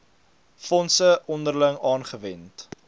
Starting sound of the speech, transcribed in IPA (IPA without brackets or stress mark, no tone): f